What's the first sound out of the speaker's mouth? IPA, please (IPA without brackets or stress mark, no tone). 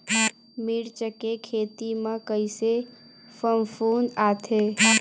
m